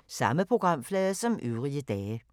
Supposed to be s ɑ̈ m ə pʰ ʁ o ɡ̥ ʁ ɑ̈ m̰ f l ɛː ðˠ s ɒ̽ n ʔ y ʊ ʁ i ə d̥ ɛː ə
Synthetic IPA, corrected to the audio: s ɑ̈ m ə pʰ ʁ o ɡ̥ ʁ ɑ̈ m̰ f l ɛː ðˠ s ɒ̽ m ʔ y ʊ ʁ i ə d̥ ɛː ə